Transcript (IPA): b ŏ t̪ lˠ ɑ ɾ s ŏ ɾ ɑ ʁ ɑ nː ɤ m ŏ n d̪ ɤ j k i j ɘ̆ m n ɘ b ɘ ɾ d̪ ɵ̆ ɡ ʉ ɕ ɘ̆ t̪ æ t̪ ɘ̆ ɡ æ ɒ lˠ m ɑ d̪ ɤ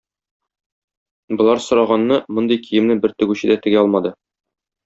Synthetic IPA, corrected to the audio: b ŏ lˠ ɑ ɾ s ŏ ɾ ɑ ʁ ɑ nː ɤ m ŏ n d̪ ɤ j k i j ɘ̆ m n ɘ b ɘ ɾ t̪ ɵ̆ ɡ ʉ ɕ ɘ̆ d̪ æ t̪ ɘ̆ ɡ æ ɒ lˠ m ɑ d̪ ɤ